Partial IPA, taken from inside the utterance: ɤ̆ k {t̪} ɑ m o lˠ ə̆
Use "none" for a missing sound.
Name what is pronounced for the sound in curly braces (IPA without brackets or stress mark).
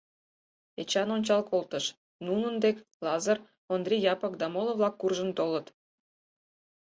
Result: d̪